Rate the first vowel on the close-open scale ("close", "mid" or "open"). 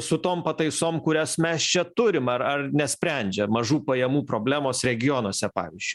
close